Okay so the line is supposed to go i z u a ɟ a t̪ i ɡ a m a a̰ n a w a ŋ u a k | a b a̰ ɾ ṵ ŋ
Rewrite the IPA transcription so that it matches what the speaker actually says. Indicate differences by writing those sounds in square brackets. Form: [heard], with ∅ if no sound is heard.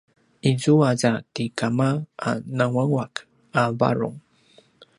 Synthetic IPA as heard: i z u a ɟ a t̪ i [k] a m a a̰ n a w a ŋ [w] a k | a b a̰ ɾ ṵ ŋ